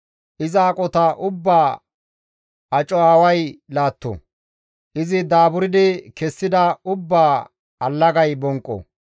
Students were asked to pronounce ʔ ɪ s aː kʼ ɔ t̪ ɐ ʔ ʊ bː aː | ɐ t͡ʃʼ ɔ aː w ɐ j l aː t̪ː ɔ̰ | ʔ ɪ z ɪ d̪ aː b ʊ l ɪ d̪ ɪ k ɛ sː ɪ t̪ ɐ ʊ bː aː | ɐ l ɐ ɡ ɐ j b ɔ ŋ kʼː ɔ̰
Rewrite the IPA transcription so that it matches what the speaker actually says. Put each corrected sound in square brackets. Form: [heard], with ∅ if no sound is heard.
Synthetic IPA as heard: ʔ ɪ [z] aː kʼ ɔ t̪ ɐ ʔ ʊ bː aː | ɐ t͡ʃʼ ɔ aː w ɐ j l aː t̪ː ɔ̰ | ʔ ɪ z ɪ d̪ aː b ʊ [ɾ] ɪ d̪ ɪ k ɛ sː ɪ [d̪] ɐ ʊ bː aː | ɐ [lː] ɐ ɡ ɐ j b ɔ ŋ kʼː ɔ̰